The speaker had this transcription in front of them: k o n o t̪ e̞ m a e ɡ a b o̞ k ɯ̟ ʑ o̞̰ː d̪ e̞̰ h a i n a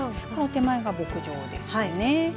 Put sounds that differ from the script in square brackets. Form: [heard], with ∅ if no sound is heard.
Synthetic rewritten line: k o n o t̪ e̞ m a e ɡ a b o̞ k ɯ̟ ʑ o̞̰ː d̪ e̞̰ [s] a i n [e]